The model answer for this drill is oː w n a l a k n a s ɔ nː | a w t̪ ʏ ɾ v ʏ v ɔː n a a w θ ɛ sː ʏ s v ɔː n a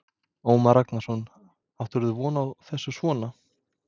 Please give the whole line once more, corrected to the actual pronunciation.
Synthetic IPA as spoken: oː w m a ɾ a k n a s ɔ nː | a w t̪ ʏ ɾ ð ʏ v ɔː n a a w θ ɛ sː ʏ s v ɔː n a